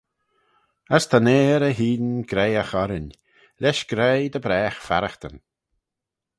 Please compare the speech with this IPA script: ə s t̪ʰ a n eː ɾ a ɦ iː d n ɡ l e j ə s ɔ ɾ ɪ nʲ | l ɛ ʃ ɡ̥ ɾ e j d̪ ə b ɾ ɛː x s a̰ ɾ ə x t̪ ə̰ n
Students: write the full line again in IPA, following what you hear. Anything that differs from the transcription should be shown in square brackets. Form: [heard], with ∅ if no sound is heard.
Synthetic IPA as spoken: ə s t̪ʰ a n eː ɾ [ə] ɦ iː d n ɡ [ɾ] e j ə [x] ɔ ɾ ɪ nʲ | l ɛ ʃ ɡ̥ ɾ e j d̪ ə b ɾ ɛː x [f] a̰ ɾ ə x t̪ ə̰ n